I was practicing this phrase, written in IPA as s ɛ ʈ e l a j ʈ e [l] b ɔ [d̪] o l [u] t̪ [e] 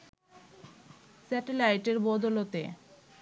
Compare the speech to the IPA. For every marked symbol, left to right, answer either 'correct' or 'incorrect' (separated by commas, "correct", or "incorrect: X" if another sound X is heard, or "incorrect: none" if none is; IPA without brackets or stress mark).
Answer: incorrect: ɾ, correct, incorrect: o, correct